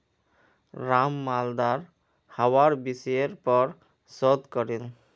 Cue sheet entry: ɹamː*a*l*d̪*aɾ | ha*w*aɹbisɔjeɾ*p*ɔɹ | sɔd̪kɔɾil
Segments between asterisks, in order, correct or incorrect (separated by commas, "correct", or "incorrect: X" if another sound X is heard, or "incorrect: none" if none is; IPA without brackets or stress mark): correct, correct, correct, correct